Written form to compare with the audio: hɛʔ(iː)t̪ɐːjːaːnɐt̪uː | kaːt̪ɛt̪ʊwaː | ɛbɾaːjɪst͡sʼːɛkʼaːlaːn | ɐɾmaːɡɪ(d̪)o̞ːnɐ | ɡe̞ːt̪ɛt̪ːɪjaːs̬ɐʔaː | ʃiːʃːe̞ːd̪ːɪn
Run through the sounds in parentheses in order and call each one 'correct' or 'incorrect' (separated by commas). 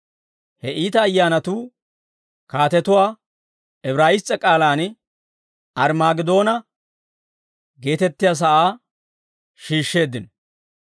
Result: correct, correct